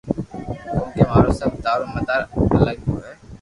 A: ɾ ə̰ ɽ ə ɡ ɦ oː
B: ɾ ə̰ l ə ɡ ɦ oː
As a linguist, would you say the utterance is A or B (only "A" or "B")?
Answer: B